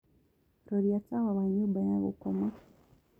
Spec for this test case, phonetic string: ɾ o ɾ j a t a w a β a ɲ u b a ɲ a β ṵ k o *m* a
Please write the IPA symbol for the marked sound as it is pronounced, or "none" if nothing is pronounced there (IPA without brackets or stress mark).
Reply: m